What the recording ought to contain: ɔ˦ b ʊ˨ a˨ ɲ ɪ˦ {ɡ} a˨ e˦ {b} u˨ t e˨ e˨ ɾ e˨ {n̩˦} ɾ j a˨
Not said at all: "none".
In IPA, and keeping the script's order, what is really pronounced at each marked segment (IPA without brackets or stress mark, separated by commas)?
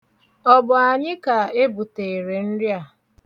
k, b, n̩˦